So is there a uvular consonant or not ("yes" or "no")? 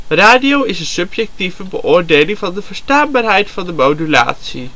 no